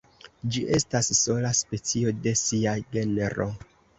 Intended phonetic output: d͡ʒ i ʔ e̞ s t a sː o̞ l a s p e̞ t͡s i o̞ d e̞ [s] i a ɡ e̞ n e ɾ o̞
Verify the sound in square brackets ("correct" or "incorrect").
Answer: correct